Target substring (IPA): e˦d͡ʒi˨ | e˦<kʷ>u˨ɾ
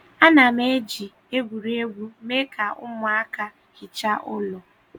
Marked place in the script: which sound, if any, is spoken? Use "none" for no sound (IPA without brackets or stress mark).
ɡʷ